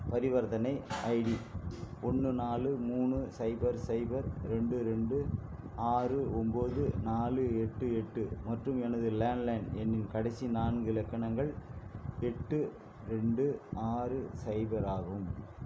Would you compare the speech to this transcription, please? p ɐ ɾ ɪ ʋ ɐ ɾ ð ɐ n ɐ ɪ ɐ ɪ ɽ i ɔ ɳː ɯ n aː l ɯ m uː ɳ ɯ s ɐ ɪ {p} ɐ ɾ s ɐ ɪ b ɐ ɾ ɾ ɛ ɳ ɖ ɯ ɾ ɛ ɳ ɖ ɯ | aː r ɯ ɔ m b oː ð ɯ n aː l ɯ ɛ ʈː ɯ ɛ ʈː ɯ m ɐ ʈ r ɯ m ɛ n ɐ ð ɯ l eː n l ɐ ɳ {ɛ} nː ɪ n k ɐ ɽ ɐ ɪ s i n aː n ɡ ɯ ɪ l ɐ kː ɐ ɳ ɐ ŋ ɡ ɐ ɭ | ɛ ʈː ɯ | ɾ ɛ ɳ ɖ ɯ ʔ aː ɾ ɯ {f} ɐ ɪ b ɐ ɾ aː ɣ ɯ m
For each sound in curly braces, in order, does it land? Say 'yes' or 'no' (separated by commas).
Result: no, yes, no